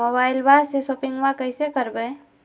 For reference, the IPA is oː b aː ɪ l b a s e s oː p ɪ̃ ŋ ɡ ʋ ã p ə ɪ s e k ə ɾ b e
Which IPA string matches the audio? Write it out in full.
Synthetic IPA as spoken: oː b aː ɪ l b a s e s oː p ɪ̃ ŋ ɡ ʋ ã k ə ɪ s e k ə ɾ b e